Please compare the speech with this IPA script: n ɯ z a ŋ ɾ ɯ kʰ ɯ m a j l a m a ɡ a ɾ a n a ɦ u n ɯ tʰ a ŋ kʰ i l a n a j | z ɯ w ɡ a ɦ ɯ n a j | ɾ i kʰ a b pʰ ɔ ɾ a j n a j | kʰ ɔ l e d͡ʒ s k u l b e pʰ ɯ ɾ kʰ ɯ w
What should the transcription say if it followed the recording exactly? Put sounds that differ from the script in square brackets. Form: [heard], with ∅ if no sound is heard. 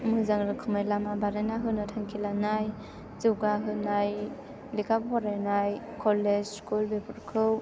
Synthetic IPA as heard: [m] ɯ z a ŋ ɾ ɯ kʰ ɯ m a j l a m a [b] a ɾ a n a ɦ [ɯ] n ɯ tʰ a ŋ kʰ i l a n a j | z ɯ w ɡ a ɦ ɯ n a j | [l] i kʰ a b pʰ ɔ ɾ a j n a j | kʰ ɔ l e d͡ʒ s k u l b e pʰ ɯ ɾ kʰ ɯ w